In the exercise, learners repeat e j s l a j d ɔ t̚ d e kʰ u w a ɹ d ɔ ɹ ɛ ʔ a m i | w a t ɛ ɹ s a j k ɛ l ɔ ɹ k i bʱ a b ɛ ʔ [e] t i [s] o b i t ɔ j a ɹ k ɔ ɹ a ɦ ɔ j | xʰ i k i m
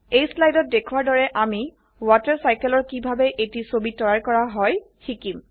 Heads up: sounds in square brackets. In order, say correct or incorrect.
correct, correct

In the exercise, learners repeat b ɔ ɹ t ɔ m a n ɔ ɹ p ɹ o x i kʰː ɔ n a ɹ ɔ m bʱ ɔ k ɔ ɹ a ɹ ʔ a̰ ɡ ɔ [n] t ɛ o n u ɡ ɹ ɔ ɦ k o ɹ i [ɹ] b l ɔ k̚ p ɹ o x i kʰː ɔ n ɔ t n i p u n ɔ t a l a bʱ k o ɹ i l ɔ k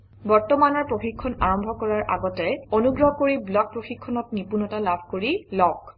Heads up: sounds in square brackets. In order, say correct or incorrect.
incorrect: none, incorrect: none

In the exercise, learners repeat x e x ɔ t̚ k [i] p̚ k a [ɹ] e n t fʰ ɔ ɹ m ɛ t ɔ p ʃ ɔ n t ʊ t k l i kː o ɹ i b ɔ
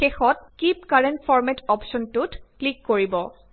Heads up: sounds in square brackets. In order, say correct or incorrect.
correct, correct

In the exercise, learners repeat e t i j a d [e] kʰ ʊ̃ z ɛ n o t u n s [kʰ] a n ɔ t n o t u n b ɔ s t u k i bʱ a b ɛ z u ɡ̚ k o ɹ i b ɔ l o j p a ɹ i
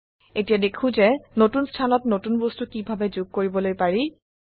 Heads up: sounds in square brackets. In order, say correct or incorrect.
correct, incorrect: tʰ

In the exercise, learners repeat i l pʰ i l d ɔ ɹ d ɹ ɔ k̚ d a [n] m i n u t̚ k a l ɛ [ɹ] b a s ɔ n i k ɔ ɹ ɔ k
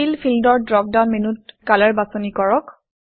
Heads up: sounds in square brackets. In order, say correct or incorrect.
correct, correct

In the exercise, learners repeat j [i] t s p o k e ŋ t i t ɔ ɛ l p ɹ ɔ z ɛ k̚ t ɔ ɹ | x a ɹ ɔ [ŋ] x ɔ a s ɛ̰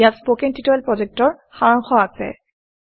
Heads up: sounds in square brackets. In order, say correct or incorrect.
incorrect: a, correct

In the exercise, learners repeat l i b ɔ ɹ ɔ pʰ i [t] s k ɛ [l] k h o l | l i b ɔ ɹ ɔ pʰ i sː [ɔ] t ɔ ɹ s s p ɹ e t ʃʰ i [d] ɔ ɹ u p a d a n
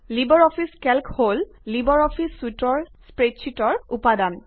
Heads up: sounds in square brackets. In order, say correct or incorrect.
incorrect: none, correct, incorrect: u, incorrect: t

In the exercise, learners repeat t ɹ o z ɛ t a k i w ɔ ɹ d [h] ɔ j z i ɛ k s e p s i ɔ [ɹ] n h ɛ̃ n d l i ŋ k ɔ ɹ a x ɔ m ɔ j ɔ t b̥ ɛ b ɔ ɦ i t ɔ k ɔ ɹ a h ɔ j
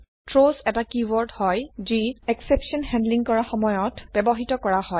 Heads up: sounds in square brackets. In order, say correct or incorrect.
correct, incorrect: none

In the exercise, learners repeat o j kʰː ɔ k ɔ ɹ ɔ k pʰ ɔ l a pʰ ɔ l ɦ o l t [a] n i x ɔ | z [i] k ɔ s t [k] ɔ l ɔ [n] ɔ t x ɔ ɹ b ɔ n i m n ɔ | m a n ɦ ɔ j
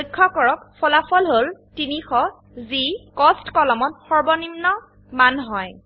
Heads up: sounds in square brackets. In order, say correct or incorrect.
incorrect: i, correct, correct, incorrect: m

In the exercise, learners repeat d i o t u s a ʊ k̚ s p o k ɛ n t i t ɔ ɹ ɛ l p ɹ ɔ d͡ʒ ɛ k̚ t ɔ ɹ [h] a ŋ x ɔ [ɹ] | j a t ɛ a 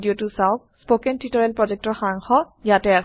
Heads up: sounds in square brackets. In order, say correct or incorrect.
incorrect: x, incorrect: none

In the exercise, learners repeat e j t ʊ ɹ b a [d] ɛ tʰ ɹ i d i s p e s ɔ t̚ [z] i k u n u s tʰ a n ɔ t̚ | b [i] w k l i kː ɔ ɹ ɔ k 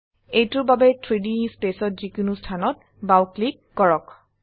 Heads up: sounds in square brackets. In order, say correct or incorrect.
incorrect: b, correct, incorrect: a

